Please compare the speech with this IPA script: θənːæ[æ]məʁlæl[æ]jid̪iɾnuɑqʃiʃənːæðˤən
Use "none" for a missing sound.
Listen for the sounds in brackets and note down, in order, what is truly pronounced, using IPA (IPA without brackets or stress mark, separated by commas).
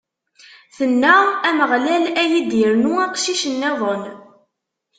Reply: æ, æ